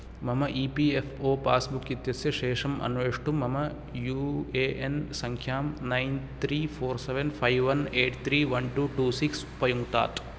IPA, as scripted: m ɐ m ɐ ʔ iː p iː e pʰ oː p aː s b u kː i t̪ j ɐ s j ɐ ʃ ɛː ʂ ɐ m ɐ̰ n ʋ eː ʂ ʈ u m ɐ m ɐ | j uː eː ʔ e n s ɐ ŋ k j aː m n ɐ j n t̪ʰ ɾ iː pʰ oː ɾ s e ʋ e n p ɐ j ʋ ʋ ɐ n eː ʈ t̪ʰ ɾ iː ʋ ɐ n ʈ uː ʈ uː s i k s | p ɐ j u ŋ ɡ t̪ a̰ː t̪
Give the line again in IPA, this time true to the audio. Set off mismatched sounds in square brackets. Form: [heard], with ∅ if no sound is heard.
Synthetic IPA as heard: m ɐ m ɐ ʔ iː p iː e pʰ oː p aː s b u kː i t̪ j ɐ s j ɐ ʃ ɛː ʂ ɐ m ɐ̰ n ʋ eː ʂ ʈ u m ɐ m ɐ | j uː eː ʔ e n s ɐ ŋ [kʰ] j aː m n ɐ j n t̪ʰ ɾ iː pʰ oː ɾ s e ʋ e n [pʰ] ɐ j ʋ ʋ ɐ n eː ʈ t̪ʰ ɾ iː ʋ ɐ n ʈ uː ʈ uː s i k s | p ɐ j u ŋ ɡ t̪ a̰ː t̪